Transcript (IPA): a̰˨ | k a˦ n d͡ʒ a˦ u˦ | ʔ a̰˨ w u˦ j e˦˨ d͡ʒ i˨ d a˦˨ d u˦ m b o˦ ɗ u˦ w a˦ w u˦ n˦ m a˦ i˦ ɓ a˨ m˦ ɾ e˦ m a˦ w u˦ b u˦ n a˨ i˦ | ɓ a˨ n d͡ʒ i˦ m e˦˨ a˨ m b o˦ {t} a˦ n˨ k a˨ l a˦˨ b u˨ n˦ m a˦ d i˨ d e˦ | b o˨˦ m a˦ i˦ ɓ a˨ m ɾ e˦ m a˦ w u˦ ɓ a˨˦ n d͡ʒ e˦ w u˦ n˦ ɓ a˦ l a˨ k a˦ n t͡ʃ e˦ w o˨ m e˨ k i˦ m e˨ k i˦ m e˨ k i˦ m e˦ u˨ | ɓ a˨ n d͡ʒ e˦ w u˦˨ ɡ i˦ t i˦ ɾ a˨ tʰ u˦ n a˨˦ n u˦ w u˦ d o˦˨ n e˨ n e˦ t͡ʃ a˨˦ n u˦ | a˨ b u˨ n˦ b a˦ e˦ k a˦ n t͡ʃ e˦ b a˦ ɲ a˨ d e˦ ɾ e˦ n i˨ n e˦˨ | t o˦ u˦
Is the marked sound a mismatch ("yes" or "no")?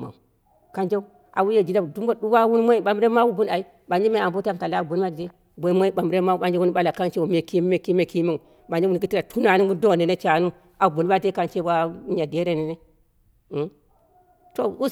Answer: no